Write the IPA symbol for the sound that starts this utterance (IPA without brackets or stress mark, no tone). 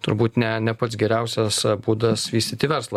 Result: t̪